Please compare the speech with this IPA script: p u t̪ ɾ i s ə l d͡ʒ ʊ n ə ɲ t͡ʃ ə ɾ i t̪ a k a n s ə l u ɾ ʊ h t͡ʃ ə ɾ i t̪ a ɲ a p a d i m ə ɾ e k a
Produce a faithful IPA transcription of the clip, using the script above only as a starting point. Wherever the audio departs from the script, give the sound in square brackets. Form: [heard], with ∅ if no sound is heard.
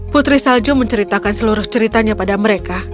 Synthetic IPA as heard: p u t̪ ɾ i s [a] l d͡ʒ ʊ [m] ə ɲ t͡ʃ ə ɾ i t̪ a k a n s ə l u ɾ ʊ h t͡ʃ ə ɾ i t̪ a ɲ a p a d [a] m ə ɾ e k a